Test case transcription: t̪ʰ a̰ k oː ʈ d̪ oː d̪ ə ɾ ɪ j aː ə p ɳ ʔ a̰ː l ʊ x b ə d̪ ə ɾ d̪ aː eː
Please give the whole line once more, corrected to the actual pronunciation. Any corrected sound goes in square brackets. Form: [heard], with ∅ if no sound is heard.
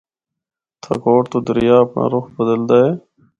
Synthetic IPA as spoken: t̪ʰ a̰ k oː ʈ [t̪] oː d̪ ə ɾ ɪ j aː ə p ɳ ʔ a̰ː [ɾ] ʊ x b ə d̪ ə [l] d̪ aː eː